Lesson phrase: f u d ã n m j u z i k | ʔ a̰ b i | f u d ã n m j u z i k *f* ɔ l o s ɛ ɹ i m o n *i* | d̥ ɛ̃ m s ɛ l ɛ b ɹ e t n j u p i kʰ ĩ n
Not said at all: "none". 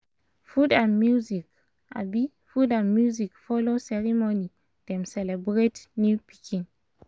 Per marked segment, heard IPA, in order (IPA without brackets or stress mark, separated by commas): f, i